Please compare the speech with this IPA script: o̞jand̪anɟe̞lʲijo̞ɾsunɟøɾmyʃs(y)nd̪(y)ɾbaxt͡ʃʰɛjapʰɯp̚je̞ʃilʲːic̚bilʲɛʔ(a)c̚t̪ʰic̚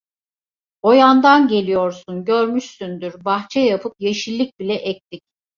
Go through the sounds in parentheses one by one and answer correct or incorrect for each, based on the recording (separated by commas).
correct, correct, incorrect